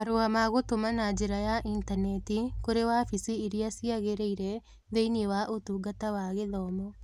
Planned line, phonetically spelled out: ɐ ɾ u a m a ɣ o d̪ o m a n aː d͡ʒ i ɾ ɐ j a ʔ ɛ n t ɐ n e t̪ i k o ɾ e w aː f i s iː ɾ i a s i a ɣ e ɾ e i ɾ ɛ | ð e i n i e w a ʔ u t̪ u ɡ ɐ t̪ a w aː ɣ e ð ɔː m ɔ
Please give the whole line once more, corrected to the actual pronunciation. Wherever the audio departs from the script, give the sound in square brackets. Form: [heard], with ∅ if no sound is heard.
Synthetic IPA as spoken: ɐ ɾ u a m a ɣ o [t̪] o m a n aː d͡ʒ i ɾ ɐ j a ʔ [i] n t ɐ n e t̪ i k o ɾ e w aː f i s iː ɾ i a s i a ɣ e ɾ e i ɾ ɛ | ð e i n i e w a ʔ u t̪ u ɡ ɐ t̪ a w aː ɣ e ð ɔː m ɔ

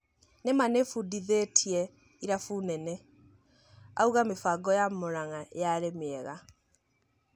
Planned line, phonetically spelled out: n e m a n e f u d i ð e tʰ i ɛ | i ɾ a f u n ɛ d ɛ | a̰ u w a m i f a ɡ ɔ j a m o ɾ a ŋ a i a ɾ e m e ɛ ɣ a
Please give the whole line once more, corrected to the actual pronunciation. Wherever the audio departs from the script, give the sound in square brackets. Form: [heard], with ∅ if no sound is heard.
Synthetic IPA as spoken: n e m a n e f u d i ð e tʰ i ɛ | i ɾ a f u n ɛ [n] ɛ | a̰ u [ɣ] a m [e] f a ɡ ɔ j a m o ɾ a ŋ a [j] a ɾ e m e ɛ ɣ a

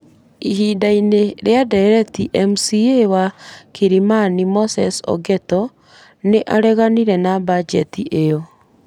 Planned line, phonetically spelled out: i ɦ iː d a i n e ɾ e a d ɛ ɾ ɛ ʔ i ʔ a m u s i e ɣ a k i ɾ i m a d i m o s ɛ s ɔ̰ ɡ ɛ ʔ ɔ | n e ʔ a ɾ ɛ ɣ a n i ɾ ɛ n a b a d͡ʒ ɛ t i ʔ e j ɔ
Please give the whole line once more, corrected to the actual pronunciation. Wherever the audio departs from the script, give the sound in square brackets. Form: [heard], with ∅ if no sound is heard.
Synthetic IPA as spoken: i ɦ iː d a i n e ɾ e a d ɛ ɾ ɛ [t] i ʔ [ɛ] m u s i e [w] a k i ɾ i m a [n] i m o s ɛ s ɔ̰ ɡ ɛ [t] ɔ | n e ʔ a ɾ ɛ ɣ a n i ɾ ɛ n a b a d͡ʒ ɛ t i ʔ e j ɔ

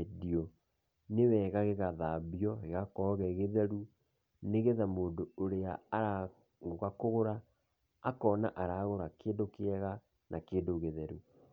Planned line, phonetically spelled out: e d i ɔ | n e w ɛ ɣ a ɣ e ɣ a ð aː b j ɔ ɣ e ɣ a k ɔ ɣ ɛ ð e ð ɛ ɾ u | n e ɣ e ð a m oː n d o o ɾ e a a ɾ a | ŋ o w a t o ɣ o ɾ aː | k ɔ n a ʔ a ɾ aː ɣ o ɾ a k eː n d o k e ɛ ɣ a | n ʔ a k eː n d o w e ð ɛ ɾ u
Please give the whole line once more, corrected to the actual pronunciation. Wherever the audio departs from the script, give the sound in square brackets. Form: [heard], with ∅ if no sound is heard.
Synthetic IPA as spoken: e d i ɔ | n e w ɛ ɣ a ɣ e ɣ a ð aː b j ɔ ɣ e ɣ a k ɔ ɣ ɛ [ɣ] e ð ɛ ɾ u | n e ɣ e ð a m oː n d o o ɾ e a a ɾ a | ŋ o [ɣ] a [k] o ɣ o ɾ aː | k ɔ n a ʔ a ɾ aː ɣ o ɾ a k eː n d o k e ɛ ɣ a | n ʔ a k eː n d o [ɣ] e ð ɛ ɾ u

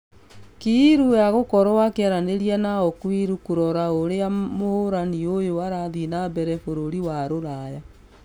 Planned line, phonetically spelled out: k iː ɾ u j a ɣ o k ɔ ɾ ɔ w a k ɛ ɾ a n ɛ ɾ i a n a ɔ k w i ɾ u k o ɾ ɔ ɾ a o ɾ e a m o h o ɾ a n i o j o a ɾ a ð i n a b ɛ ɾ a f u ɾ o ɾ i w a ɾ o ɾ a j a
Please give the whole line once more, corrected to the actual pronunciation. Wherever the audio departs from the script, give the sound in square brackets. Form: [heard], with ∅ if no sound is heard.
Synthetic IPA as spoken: k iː ɾ u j a ɣ o k ɔ ɾ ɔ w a k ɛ ɾ a n [e] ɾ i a n a ɔ k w i ɾ u k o ɾ ɔ ɾ a o ɾ e a m o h o ɾ a n i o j o a ɾ a ð i n a b ɛ ɾ [ɛ] f [o] ɾ o ɾ i w a ɾ o ɾ a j a

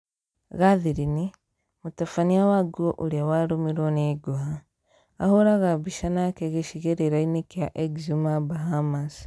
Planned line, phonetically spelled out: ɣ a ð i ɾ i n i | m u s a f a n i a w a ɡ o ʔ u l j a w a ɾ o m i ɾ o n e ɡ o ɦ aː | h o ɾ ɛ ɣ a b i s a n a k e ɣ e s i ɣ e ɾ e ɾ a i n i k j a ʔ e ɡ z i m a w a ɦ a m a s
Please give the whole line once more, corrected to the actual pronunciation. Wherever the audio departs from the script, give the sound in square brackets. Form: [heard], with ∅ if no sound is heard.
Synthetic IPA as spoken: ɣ a ð i ɾ i n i | m u [t] a f a n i a w a ɡ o ʔ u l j a w a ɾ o m i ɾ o n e ɡ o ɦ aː | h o ɾ [a] ɣ a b i [ʃ] a n a k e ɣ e [ʃ] i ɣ e ɾ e ɾ a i n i k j a ʔ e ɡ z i m a [b] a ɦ a m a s

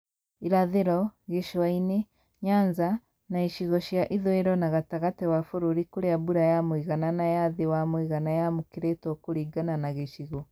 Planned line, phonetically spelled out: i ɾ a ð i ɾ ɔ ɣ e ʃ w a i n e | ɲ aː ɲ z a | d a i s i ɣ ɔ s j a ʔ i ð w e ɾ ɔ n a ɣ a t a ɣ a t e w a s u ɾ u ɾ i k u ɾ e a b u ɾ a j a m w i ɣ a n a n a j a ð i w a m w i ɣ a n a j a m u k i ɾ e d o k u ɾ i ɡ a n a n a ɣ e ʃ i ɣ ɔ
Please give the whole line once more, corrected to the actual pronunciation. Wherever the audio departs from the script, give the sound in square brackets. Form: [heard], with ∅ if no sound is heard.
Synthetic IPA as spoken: i ɾ a ð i ɾ ɔ ɣ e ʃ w a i n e | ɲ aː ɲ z a | [n] a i [ʃ] i ɣ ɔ [ʃ] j a ʔ i ð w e ɾ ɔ n a ɣ a t a ɣ a t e w a [f] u ɾ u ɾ i k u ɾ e a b u ɾ a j a m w i ɣ a n a n a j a ð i w a m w i ɣ a n a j a m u k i ɾ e [t] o k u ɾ i ɡ a n a n a ɣ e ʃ i ɣ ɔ

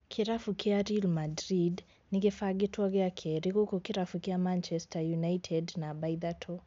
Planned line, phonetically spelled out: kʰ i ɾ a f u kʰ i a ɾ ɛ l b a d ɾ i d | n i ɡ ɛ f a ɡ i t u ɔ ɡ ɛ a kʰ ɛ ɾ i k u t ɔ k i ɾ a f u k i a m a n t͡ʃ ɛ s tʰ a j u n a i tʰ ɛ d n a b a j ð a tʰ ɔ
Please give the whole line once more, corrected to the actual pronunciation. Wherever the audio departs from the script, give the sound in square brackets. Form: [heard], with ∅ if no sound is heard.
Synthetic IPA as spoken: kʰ i ɾ a f u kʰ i a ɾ [i] l [m] a d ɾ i d | n i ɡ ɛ f a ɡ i t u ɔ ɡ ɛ a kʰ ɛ ɾ i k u [k] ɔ k i ɾ a f u k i a m a n t͡ʃ ɛ s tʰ a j u n a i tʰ ɛ d n a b a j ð a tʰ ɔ

